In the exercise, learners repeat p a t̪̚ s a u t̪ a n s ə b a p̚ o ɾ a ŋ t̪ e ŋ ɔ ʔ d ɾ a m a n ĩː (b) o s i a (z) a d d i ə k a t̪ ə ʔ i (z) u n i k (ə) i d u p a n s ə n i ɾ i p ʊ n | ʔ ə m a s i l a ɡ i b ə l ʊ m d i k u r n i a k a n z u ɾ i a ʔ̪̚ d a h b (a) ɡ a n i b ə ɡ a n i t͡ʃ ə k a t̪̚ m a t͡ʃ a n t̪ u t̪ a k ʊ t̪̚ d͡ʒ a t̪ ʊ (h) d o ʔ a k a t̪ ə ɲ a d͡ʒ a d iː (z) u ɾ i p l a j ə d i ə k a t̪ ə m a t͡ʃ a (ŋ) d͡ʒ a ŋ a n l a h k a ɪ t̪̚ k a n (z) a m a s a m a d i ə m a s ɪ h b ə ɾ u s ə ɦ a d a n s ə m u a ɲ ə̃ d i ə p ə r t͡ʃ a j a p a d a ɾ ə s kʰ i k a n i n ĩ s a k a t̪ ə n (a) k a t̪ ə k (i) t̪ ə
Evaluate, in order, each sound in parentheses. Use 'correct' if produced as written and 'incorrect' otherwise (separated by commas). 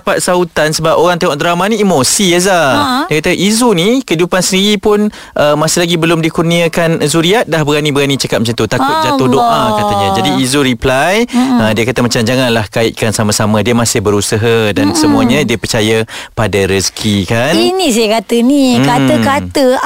incorrect, correct, correct, correct, incorrect, correct, correct, incorrect, incorrect, incorrect, incorrect